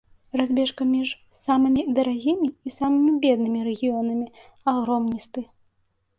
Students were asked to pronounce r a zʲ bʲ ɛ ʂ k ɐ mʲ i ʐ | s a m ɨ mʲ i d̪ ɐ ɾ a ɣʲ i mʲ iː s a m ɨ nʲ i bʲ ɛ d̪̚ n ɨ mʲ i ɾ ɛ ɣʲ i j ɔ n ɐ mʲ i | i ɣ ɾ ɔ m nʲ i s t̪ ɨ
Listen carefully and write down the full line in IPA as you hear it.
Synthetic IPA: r a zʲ bʲ ɛ ʂ k ɐ mʲ i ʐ | s a m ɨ mʲ i d̪ ɐ ɾ a ɣʲ i mʲ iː s a m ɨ mʲ i bʲ ɛ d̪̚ n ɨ mʲ i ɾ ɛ ɣʲ i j ɔ n ɐ mʲ i | a ɣ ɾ ɔ m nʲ i s t̪ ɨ